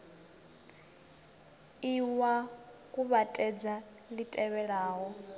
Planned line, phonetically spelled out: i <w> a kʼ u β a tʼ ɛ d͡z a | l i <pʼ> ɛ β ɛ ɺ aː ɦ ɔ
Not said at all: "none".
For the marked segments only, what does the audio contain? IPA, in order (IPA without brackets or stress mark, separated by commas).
w, tʼ